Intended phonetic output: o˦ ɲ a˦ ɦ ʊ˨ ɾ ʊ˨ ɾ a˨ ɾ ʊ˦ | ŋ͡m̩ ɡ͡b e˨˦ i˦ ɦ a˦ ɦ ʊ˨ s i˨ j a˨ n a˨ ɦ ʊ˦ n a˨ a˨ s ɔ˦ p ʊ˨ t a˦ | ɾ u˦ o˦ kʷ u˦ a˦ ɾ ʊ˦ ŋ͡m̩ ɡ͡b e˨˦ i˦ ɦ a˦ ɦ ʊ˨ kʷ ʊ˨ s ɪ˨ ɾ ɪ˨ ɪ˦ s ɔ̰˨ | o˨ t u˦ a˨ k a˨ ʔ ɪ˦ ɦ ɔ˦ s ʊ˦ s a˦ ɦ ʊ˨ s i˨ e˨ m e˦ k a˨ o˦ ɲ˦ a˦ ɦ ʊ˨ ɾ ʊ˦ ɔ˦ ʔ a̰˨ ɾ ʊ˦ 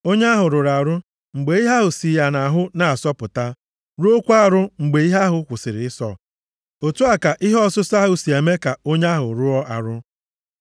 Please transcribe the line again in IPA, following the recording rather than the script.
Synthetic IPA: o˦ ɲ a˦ ɦ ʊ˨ ɾ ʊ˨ ɾ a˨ ɾ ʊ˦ | ŋ͡m̩ ɡ͡b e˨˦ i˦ ɦ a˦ ɦ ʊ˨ s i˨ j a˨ n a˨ ɦ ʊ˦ n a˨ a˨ s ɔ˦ p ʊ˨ t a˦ | ɾ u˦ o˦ kʷ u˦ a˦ ɾ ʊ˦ ŋ͡m̩ ɡ͡b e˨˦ i˦ ɦ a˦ ɦ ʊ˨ kʷ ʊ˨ s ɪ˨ ɾ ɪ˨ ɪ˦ s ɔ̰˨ | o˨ t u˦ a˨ k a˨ ʔ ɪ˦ ɦ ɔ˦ s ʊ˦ s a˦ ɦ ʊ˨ s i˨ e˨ m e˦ k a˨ o˦ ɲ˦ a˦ ɦ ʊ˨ ɾ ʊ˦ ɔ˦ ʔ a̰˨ ɾ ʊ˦